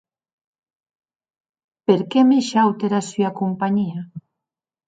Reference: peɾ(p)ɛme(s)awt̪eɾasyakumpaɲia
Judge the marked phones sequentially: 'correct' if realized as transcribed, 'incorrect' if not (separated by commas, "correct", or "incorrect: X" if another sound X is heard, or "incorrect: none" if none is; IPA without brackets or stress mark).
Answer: incorrect: k, incorrect: ʃ